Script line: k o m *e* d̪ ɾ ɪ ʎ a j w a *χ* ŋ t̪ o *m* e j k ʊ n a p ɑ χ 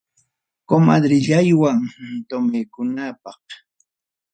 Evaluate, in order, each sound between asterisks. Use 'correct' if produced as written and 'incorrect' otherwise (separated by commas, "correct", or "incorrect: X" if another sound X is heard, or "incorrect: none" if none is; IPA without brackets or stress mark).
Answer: incorrect: a, incorrect: none, correct